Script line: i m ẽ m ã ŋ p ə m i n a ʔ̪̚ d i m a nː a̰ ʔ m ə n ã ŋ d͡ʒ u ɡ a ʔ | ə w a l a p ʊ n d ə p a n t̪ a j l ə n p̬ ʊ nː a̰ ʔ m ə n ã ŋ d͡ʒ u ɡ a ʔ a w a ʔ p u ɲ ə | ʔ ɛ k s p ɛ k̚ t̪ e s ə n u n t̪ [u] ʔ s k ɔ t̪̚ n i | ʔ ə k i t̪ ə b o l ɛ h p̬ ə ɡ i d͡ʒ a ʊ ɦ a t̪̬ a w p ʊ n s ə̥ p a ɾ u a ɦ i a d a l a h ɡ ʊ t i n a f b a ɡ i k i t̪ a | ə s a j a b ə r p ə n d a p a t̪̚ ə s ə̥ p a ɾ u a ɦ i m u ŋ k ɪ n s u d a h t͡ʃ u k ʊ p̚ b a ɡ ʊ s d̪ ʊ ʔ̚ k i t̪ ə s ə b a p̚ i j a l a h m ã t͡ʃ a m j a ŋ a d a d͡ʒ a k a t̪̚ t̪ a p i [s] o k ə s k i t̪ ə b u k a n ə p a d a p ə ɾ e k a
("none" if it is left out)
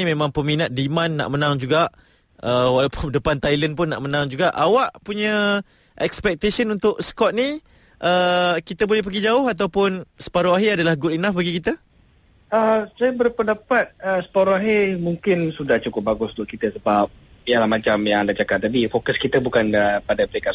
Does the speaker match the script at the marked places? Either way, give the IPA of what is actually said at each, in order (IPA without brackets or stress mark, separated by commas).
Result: ʊ, f